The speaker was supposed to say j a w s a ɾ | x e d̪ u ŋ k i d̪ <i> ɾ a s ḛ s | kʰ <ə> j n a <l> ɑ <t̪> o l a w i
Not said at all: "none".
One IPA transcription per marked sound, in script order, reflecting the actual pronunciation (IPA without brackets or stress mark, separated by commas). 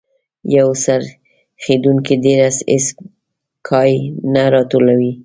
e, ɑ, ɾ, t̪